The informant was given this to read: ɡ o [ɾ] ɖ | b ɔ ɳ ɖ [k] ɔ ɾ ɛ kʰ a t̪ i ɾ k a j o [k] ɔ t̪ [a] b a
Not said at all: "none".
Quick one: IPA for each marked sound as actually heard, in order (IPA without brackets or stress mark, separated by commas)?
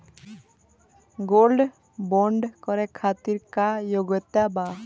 l, k, ɡ, a